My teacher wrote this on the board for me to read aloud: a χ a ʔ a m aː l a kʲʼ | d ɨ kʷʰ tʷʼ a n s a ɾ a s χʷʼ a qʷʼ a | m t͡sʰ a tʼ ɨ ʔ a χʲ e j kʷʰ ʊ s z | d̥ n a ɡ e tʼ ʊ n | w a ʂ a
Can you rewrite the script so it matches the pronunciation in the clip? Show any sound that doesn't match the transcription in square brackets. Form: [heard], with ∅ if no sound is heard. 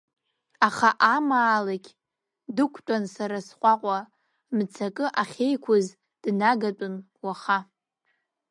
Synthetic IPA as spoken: a χ a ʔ a m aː l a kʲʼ | d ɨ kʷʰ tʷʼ a n s a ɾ a s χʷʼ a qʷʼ a | m t͡sʰ a [kʼ] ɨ ʔ a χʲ e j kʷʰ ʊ [∅] z | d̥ n a ɡ [a] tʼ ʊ n | w a [χ] a